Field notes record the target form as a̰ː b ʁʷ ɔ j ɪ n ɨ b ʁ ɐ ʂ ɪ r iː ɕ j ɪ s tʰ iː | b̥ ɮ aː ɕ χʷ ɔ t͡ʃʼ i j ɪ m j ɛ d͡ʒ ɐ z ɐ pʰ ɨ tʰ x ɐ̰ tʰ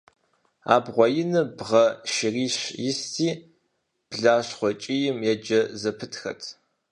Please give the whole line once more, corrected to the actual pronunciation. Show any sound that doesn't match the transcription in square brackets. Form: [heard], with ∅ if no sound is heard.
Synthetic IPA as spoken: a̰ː b ʁʷ ɔ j ɪ n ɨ b ʁ ɐ [ʃ] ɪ r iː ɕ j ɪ s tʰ iː | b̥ ɮ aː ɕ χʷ ɔ t͡ʃʼ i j ɪ m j ɛ d͡ʒ ɐ z ɐ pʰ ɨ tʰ x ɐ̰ tʰ